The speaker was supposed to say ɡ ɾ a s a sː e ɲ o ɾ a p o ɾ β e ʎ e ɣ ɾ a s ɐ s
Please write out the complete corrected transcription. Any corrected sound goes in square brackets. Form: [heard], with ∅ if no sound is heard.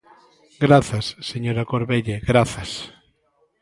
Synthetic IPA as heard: ɡ ɾ a [θ] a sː e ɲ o ɾ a [k] o ɾ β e ʎ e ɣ ɾ a [θ] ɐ s